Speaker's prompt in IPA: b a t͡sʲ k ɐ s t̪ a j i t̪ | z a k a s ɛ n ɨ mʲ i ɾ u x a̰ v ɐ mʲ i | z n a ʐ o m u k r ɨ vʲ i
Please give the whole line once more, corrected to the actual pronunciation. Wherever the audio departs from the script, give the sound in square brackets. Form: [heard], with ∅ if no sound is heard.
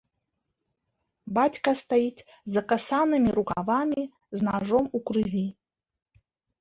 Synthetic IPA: b a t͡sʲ k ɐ s t̪ a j i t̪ | z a k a s [a] n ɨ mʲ i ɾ u [k] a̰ v [a] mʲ i | z n a ʐ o m u k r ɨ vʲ i